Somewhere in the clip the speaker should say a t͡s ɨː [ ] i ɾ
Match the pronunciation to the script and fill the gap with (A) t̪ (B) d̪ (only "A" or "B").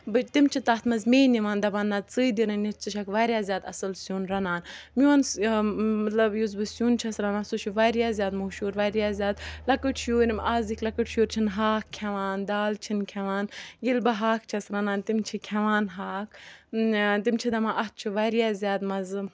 B